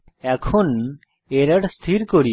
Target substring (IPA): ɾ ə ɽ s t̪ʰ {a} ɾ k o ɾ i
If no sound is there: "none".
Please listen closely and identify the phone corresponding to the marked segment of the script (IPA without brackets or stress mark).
i